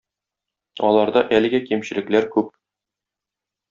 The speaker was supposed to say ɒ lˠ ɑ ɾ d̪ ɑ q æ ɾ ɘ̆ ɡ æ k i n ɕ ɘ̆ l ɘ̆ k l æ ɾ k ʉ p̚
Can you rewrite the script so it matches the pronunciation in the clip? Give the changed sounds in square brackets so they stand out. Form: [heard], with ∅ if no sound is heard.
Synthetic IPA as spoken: ɒ lˠ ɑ ɾ d̪ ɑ [ʔ] æ [l] ɘ̆ ɡ æ k i [m] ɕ ɘ̆ l ɘ̆ k l æ ɾ k ʉ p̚